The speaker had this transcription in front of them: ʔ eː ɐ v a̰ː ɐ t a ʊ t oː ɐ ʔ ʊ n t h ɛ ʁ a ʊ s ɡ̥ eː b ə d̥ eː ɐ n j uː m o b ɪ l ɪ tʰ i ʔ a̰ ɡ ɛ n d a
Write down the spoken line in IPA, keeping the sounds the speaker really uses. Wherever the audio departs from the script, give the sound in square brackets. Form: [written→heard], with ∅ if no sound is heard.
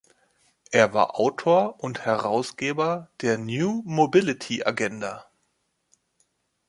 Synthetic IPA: ʔ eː ɐ v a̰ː ɐ [t→ʔ] a ʊ [t→tʰ] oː ɐ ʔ ʊ n t h ɛ ʁ a ʊ s ɡ̥ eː b [ə→ɐ] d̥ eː ɐ n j uː m o b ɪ l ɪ tʰ i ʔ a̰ ɡ ɛ n d a